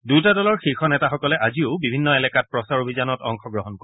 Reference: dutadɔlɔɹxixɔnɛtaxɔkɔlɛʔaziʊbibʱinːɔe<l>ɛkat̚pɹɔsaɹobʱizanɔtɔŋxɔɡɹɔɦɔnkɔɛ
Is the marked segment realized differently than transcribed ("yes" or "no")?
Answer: no